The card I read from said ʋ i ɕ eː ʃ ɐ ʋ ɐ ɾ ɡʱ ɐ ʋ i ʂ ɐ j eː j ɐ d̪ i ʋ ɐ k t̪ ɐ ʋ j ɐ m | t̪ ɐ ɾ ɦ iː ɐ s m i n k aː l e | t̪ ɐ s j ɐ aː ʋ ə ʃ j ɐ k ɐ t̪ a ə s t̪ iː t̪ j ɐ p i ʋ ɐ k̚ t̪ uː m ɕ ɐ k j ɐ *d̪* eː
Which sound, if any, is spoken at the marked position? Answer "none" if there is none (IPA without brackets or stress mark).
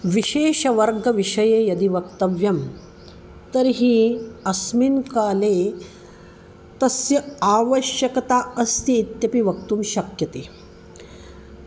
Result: t̪